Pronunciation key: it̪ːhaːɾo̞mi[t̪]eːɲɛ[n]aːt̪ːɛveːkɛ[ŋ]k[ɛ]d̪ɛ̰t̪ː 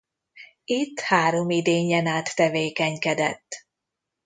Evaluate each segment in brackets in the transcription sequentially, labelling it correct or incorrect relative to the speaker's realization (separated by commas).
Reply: incorrect, correct, incorrect, correct